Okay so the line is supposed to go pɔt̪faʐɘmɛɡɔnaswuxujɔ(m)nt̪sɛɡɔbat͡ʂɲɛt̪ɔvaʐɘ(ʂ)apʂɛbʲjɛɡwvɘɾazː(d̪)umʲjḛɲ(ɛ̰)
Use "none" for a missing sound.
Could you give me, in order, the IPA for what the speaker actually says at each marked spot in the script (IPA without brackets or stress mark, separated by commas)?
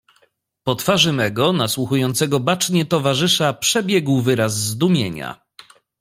none, ʂ, d̪, a̰